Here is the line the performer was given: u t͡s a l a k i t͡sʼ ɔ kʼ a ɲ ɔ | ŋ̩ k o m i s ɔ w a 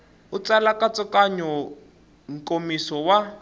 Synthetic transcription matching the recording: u t͡s a l a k a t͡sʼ ɔ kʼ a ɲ ɔ | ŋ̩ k o m i s ɔ w a